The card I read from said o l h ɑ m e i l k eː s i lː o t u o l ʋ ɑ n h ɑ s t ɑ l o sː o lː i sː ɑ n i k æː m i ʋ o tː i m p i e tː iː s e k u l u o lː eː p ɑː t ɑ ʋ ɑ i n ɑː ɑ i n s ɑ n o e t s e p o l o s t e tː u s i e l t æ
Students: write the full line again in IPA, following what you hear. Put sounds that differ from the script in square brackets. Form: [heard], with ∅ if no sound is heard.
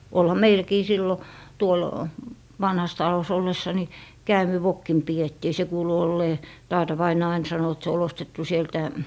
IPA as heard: o l h ɑ m e i l k [iː] s i lː o t u o l ʋ ɑ n h ɑ s t ɑ l o [s] o lː [e] sː ɑ n i k æː m i ʋ o [kː] i m p i e tː iː s e k [uː] l u o lː eː [t] ɑː t ɑ ʋ ɑ i n ɑː ɑ i n s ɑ n o e t s e [∅] o l o s t e tː u s i e l t æ